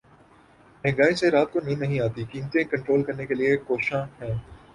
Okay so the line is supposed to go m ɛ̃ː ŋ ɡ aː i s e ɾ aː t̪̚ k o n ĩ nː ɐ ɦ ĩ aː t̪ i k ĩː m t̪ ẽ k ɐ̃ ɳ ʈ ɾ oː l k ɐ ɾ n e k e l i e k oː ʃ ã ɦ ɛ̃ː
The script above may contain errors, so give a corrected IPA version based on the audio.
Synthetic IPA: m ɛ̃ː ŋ ɡ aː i s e ɾ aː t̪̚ k o n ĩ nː ɐ ɦ ĩ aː t̪ i k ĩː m t̪ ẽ k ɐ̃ ɳ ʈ ɾ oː l k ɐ ɾ n e k e l i e k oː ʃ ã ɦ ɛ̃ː